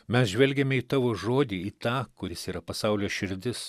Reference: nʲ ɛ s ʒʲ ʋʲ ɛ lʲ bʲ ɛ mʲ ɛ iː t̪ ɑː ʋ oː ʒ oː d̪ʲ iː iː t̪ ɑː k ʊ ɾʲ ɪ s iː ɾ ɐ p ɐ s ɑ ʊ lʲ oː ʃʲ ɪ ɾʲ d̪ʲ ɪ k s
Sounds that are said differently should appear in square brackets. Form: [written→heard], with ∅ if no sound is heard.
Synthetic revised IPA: [nʲ→mʲ] ɛ s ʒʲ ʋʲ ɛ lʲ [bʲ→ɡʲ] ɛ mʲ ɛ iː t̪ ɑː ʋ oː ʒ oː d̪ʲ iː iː t̪ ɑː k ʊ ɾʲ ɪ s iː ɾ ɐ p ɐ s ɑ ʊ lʲ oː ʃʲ ɪ ɾʲ d̪ʲ ɪ [k→∅] s

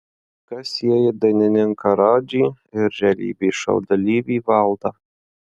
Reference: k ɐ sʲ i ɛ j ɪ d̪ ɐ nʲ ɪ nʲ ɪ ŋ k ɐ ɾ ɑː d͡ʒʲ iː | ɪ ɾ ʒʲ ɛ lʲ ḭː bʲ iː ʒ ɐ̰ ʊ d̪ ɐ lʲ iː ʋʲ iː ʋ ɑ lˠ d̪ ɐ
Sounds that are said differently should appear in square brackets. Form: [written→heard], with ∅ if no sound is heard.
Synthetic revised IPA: k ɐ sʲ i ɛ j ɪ d̪ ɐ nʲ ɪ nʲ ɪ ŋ k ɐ ɾ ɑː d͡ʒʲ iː | ɪ ɾ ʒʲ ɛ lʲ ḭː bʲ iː [ʒ→ʃ] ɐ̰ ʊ d̪ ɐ lʲ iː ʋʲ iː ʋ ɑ lˠ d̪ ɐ

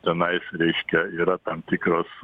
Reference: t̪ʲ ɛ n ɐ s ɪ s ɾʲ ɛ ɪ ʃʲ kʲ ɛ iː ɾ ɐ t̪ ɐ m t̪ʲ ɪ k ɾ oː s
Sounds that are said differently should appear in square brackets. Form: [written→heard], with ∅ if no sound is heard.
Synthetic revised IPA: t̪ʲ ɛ n ɐ [s→∅] ɪ s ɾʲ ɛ ɪ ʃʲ kʲ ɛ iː ɾ ɐ t̪ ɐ m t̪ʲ ɪ k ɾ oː s

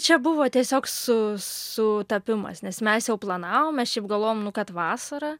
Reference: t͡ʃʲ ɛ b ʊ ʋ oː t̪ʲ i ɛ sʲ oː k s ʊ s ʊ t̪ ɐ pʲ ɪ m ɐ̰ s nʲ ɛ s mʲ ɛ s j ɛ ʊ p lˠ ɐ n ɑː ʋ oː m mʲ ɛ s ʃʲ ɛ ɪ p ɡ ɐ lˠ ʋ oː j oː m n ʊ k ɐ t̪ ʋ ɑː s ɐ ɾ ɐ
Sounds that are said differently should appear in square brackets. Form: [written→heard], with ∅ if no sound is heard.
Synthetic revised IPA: t͡ʃʲ ɛ b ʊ ʋ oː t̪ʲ i ɛ sʲ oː k s ʊ s ʊ t̪ ɐ pʲ ɪ m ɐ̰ s nʲ ɛ s mʲ ɛ s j ɛ ʊ p lˠ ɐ n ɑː ʋ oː m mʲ ɛ s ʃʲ ɛ ɪ p ɡ ɐ lˠ ʋ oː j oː m n ʊ k ɐ t̪ ʋ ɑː s ɐ ɾ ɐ

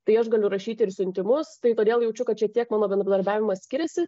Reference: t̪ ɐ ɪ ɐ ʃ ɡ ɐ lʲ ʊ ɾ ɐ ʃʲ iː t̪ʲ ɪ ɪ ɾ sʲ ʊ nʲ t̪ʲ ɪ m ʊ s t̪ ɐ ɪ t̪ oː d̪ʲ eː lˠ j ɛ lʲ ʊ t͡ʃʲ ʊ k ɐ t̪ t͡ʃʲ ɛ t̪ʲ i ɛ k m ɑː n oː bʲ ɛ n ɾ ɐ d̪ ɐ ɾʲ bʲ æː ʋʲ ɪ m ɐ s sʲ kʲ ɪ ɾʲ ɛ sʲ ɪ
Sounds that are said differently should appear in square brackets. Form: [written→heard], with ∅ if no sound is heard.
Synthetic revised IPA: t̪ ɐ ɪ ɐ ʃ ɡ ɐ lʲ ʊ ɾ ɐ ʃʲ iː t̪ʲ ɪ ɪ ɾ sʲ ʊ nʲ t̪ʲ ɪ m ʊ s t̪ ɐ ɪ t̪ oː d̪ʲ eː lˠ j ɛ [lʲ→∅] ʊ t͡ʃʲ ʊ k ɐ t̪ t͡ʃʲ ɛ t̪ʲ i ɛ k m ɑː n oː bʲ ɛ n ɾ ɐ d̪ ɐ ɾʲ bʲ æː ʋʲ ɪ m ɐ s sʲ kʲ ɪ ɾʲ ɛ sʲ ɪ

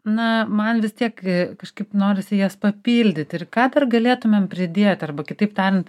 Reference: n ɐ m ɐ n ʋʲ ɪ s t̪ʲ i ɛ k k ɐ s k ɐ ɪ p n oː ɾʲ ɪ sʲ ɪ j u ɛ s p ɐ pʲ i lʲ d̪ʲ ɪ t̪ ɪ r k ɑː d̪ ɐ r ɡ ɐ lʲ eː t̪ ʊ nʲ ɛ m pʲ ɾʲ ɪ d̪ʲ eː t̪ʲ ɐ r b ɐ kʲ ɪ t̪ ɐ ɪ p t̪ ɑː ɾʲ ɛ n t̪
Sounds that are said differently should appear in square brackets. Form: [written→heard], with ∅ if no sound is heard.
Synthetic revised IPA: n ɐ m ɐ n ʋʲ ɪ s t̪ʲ i ɛ k k ɐ [s→ʃ] k ɐ ɪ p n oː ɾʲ ɪ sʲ ɪ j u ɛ s p ɐ pʲ [i→iː] lʲ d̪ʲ ɪ t̪ ɪ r k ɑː d̪ ɐ r ɡ ɐ lʲ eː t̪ ʊ [nʲ→mʲ] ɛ m pʲ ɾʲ ɪ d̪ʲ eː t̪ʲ ɐ r b ɐ kʲ ɪ t̪ ɐ ɪ p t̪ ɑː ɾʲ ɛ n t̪

